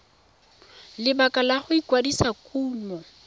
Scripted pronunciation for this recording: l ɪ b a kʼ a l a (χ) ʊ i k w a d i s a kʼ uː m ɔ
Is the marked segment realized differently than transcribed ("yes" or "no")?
no